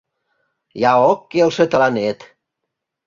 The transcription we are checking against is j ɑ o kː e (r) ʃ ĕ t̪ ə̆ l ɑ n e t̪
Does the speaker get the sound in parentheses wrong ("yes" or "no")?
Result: yes